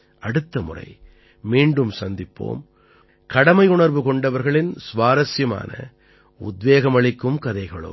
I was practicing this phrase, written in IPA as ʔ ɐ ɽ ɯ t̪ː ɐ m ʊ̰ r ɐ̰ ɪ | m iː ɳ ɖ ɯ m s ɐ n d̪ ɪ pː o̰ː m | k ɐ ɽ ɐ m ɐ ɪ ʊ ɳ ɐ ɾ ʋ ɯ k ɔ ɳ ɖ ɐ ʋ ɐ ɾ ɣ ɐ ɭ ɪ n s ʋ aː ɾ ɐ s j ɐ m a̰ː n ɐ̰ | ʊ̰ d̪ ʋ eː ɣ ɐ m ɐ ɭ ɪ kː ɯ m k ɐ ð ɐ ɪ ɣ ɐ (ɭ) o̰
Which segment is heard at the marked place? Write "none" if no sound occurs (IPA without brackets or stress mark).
ɭ